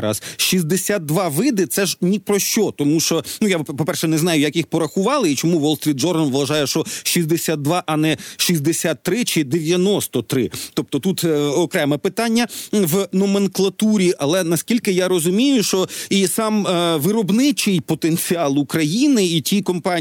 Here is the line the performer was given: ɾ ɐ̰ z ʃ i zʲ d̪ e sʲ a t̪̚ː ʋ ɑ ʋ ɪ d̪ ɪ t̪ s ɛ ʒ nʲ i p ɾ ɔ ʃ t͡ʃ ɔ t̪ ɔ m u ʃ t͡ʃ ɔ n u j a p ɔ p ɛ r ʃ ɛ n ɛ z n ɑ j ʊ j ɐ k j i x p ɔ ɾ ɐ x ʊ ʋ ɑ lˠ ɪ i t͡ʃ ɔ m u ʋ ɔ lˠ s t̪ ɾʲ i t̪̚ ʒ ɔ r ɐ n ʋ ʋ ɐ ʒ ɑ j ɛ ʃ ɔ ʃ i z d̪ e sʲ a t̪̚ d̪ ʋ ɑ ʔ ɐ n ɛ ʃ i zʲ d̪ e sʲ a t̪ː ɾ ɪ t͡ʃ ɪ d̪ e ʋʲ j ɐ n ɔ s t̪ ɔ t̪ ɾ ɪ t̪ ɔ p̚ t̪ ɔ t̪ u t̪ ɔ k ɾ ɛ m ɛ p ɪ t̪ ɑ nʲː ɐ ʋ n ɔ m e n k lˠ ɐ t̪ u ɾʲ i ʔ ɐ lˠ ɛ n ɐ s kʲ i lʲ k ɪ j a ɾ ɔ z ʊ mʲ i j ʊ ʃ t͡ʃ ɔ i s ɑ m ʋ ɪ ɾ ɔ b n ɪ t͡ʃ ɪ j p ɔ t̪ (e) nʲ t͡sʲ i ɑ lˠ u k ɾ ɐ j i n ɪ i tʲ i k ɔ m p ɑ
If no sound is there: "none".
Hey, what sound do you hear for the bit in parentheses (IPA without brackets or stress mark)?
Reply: e